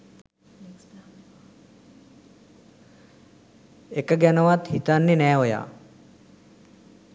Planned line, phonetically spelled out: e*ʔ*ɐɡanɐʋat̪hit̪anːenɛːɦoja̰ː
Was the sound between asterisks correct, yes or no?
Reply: no